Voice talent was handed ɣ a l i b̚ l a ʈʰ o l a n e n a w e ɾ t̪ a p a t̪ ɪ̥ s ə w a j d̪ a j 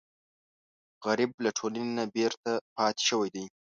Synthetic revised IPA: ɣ a ɾ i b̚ l a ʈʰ o l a n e n a b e ɾ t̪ a p ɑ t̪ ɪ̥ ʃ ə w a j d̪ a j